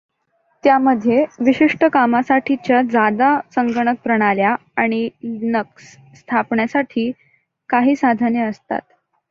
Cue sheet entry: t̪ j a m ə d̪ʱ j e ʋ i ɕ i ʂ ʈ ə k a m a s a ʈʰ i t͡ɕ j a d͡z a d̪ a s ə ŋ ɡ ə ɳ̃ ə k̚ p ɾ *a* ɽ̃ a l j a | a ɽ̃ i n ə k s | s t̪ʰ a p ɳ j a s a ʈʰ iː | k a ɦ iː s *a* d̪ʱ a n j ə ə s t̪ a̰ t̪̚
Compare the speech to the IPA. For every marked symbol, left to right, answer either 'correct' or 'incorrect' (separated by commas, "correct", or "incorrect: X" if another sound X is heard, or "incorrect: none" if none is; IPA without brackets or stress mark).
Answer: incorrect: ə, correct